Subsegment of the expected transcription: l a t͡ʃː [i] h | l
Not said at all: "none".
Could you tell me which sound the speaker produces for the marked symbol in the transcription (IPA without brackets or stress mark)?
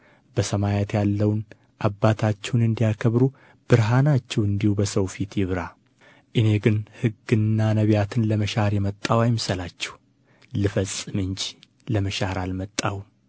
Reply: ɛ